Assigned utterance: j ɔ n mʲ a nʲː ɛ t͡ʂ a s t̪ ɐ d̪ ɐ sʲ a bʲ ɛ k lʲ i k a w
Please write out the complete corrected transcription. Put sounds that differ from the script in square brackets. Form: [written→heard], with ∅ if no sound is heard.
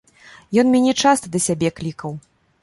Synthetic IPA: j ɔ n mʲ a [nʲː→nʲ] ɛ t͡ʂ a s t̪ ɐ d̪ ɐ sʲ a bʲ ɛ k lʲ i k [a→ɐ] w